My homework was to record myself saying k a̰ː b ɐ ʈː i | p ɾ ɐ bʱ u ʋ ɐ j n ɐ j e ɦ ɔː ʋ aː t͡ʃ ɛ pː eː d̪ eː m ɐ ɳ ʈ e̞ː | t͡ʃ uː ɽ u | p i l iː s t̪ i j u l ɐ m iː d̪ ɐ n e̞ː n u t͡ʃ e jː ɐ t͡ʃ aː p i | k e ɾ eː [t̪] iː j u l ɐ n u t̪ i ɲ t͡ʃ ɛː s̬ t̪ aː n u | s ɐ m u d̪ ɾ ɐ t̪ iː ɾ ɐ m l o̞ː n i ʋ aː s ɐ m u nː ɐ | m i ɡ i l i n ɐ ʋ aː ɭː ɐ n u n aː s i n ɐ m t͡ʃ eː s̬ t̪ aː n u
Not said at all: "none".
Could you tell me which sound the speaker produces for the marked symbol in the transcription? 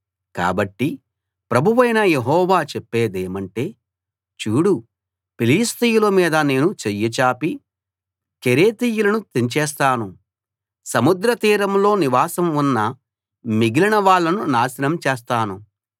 t̪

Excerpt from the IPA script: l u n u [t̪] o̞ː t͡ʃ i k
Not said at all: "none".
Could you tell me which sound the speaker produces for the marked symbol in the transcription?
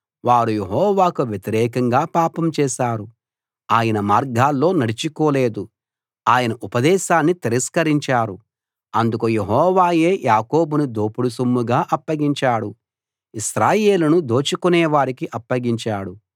d̪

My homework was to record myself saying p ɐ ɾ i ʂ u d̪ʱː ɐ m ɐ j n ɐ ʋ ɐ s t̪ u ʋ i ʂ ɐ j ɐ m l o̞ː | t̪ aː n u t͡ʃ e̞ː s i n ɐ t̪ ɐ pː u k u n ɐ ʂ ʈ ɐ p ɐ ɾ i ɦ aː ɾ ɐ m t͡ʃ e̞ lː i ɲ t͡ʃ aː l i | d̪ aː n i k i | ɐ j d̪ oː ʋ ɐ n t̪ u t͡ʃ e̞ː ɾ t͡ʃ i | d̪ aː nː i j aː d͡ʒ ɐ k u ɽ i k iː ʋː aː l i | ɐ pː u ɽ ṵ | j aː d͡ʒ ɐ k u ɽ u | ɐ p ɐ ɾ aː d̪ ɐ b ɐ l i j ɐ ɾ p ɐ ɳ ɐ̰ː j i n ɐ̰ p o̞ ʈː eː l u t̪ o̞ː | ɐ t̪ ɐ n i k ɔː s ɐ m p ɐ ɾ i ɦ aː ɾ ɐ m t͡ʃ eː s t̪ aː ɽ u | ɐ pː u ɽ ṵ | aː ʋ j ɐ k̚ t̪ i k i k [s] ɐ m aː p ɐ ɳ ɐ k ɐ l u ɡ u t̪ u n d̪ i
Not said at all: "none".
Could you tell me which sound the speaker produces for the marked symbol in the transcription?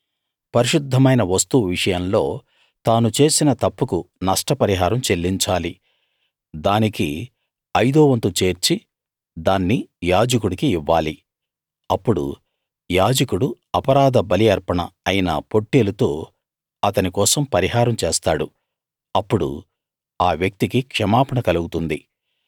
ʂ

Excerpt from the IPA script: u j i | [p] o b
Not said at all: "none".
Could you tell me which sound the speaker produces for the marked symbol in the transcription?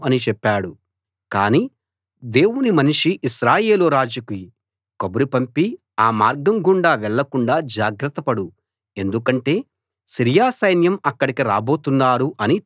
k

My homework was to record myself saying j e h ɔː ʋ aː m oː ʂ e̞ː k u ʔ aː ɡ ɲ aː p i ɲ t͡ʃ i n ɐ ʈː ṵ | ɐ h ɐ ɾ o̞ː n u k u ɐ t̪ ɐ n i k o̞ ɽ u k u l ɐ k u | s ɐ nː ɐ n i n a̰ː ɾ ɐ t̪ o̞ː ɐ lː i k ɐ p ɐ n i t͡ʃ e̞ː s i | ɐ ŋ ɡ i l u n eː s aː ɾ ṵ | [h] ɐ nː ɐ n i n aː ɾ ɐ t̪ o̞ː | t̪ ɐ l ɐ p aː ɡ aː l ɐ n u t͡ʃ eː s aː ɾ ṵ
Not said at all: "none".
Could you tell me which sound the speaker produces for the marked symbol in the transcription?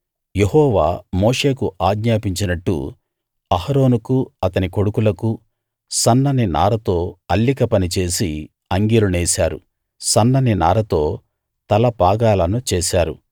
s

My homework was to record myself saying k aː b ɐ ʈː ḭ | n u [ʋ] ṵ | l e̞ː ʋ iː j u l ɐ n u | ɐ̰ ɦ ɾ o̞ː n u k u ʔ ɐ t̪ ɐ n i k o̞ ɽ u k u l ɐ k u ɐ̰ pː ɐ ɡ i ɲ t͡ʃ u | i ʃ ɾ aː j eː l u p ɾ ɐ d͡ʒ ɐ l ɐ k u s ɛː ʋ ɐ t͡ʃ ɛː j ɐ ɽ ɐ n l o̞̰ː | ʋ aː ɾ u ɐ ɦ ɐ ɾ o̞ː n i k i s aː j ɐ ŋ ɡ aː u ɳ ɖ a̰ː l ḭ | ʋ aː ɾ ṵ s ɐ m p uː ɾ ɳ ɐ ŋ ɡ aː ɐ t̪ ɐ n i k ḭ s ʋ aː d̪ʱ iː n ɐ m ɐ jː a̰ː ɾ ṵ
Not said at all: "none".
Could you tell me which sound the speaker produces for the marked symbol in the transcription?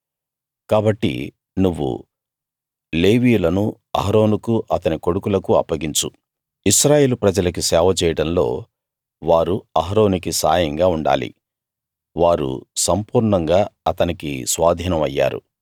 ʋː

